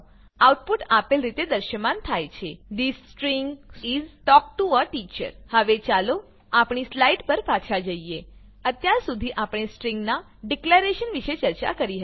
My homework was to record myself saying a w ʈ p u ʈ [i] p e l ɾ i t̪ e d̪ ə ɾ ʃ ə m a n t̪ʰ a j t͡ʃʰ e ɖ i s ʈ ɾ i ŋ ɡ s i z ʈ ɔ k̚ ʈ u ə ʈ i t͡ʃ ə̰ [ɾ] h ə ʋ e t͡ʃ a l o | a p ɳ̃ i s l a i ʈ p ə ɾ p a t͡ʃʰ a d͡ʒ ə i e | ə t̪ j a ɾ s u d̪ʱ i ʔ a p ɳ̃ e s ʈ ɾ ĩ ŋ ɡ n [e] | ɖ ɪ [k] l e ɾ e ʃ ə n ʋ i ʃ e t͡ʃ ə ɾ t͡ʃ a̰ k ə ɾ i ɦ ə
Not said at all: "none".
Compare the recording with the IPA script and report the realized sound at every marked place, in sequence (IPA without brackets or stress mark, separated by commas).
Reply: a, ɾ, a, k